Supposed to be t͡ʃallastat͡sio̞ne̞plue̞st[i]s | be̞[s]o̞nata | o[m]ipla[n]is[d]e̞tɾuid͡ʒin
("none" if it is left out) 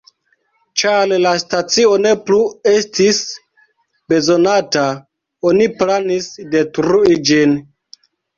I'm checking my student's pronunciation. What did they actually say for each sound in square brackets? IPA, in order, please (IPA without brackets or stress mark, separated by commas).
i, z, n, n, d